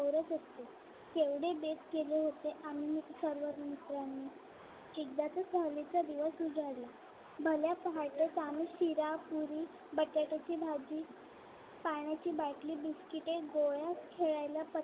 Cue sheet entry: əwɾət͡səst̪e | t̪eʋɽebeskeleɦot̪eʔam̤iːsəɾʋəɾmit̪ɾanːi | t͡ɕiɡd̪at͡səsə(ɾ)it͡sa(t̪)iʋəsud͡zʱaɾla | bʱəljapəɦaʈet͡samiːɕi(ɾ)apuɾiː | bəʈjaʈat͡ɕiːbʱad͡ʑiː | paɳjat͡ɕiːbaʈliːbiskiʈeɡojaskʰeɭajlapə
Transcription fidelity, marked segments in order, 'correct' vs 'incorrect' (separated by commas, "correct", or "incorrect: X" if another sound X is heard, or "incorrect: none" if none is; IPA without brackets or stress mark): incorrect: l, incorrect: d̪, correct